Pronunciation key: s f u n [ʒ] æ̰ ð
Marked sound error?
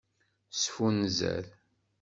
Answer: yes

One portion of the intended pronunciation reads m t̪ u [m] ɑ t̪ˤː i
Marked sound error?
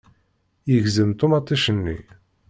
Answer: no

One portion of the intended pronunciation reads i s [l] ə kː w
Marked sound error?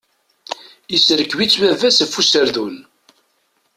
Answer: yes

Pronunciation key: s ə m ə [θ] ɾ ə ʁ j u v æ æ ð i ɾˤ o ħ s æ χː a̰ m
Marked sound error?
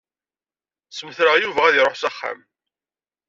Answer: no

